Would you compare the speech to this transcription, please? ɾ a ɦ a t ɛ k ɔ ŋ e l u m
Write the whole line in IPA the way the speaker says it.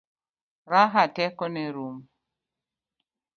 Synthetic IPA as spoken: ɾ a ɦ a t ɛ k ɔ n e ɾ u m